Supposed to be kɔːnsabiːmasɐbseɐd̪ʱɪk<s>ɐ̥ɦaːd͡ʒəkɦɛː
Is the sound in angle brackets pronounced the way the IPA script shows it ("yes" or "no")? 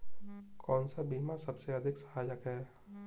yes